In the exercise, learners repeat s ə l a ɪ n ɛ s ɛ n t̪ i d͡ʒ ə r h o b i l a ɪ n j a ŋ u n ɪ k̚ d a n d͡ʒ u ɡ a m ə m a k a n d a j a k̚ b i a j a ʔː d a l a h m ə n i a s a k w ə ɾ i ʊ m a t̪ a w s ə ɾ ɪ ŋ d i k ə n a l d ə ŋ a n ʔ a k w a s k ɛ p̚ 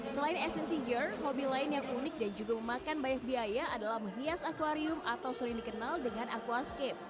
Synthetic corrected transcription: s ə l a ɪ n ɛ s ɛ n t̪ i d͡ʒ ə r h o b i l a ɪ n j a ŋ u n ɪ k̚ d a n d͡ʒ u ɡ a m ə m a k a n b a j a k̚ b i a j a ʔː d a l a h m ə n i a s a k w a ɾ i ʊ m a t̪ a w s ə ɾ ɪ ŋ d i k ə n a l d ə ŋ a n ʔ a k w a s k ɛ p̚